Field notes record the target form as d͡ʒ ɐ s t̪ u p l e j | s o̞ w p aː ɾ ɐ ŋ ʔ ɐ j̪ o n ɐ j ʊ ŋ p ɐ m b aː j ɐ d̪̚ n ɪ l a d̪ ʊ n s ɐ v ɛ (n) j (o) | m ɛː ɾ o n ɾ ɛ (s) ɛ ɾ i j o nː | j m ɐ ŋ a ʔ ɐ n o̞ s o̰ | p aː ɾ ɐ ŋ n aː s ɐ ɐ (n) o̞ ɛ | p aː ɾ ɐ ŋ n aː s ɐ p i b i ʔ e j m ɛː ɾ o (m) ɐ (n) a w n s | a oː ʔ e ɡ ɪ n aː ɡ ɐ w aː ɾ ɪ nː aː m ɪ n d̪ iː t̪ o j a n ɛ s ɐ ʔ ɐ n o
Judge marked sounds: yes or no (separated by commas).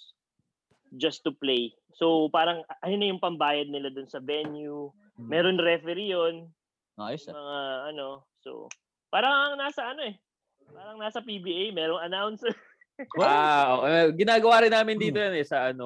yes, no, no, yes, no, yes